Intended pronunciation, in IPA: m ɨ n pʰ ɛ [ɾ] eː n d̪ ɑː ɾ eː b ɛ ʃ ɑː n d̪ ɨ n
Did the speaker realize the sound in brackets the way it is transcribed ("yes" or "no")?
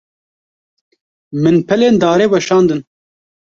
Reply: no